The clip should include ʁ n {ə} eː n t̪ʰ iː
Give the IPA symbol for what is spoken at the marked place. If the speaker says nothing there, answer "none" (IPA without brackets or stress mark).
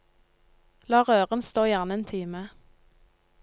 ə